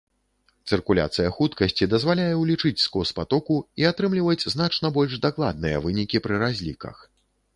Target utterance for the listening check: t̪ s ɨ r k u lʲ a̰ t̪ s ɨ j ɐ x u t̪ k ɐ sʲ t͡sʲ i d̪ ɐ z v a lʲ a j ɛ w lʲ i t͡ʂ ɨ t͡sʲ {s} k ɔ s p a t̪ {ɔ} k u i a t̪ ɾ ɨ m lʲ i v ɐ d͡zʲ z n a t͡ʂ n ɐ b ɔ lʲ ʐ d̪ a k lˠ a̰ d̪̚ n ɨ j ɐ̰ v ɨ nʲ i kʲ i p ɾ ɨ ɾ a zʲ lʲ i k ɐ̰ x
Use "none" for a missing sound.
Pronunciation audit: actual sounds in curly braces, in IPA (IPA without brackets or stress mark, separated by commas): s, ɔ